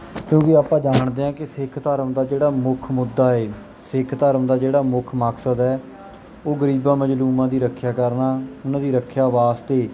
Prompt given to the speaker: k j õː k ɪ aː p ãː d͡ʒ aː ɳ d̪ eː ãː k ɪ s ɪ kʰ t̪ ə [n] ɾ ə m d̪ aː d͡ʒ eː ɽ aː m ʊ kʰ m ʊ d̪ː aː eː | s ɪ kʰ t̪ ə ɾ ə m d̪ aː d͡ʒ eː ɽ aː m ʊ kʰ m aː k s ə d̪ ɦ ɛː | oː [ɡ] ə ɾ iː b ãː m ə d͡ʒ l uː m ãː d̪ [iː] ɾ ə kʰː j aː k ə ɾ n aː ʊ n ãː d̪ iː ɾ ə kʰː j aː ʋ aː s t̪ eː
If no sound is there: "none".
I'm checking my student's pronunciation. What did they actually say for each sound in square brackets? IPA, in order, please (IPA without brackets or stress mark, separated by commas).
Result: none, ɡ, iː